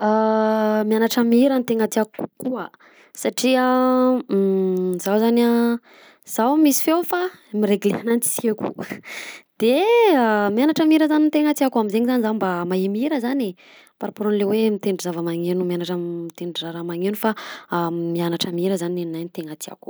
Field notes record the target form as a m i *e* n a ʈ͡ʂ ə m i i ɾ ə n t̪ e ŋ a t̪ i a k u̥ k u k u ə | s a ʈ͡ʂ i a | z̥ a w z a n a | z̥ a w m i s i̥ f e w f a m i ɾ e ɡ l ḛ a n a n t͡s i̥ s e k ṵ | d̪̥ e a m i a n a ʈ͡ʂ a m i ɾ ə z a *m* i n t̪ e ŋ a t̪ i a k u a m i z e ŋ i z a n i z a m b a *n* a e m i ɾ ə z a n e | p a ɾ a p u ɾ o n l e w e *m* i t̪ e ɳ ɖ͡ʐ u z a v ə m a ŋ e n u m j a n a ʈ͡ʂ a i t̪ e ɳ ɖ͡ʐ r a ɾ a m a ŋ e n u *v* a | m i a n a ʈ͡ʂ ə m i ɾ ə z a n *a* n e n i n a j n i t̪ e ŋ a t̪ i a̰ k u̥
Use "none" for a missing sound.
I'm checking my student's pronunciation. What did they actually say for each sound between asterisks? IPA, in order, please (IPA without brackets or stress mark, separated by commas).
a, n, m, m, f, i